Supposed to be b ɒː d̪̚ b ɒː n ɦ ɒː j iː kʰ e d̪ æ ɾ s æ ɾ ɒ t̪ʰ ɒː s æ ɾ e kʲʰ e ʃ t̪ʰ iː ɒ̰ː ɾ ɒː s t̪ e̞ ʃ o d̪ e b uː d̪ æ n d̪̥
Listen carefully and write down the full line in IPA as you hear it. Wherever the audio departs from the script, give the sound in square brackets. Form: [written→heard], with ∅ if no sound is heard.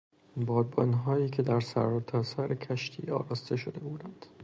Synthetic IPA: b ɒː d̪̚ b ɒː n ɦ ɒː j iː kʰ e d̪ æ ɾ s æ ɾ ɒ t̪ʰ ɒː s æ ɾ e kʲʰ [e→æ] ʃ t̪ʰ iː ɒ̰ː ɾ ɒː s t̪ e̞ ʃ o d̪ e b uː d̪ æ n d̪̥